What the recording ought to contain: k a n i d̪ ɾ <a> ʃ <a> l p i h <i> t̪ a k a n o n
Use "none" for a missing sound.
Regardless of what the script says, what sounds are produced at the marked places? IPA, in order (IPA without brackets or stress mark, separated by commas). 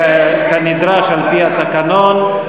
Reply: a, a, a